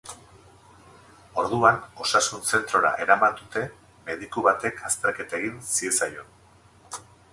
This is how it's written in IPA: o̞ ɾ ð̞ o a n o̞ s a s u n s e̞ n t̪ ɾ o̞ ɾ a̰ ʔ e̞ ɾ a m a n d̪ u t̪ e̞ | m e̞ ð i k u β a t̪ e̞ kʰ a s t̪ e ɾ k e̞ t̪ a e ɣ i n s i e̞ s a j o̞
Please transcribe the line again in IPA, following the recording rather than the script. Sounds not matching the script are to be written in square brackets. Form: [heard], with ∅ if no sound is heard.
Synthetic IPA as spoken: o̞ ɾ ð̞ [u] a n o̞ s a s u n s e̞ n t̪ ɾ o̞ ɾ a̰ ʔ e̞ ɾ a m a n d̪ u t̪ e̞ | m e̞ ð i k u β a t̪ e̞ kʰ a s t̪ e ɾ k e̞ t̪ a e ɣ i n s i e̞ s a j o̞